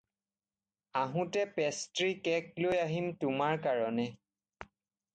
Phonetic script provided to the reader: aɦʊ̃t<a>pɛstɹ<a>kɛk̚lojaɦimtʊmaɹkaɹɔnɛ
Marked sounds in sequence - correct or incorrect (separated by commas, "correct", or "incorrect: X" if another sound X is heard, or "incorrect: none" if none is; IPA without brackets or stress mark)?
incorrect: ɛ, incorrect: i